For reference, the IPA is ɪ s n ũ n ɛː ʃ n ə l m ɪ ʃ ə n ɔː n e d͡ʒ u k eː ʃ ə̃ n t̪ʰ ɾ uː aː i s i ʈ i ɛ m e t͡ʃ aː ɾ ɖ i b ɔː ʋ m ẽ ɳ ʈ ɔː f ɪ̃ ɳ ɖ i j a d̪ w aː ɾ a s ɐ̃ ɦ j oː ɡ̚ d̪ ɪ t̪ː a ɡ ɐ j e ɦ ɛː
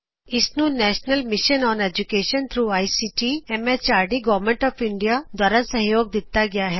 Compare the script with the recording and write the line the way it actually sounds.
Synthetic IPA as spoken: ɪ s n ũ n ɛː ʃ n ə l m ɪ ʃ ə n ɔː n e d͡ʒ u k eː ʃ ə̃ n t̪ʰ ɾ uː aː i s i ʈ i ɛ m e t͡ʃ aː ɾ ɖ i ɡ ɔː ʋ m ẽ ɳ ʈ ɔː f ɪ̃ ɳ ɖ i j a d̪ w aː ɾ a s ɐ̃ ɦ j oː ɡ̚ d̪ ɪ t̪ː a ɡ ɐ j a ɦ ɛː